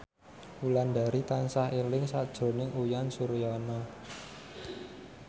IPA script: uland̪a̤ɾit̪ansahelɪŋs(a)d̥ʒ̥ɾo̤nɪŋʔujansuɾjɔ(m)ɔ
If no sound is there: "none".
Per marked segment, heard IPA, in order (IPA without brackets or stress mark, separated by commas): a, n